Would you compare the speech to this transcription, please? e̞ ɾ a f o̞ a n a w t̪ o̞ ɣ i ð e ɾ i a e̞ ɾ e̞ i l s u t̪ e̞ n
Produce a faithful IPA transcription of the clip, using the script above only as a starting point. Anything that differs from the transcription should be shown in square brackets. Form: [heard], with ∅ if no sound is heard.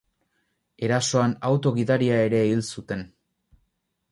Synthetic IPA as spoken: e̞ ɾ a [s] o̞ a n a w t̪ o̞ ɣ i ð [a] ɾ i a e̞ ɾ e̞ i l s u t̪ e̞ n